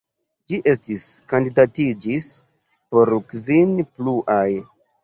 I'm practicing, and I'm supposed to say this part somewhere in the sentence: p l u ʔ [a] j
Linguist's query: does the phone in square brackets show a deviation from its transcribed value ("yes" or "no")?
no